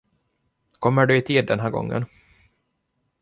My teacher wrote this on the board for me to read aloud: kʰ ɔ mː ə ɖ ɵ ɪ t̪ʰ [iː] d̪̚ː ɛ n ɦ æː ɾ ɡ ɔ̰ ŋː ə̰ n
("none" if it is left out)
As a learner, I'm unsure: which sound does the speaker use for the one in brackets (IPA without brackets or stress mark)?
iː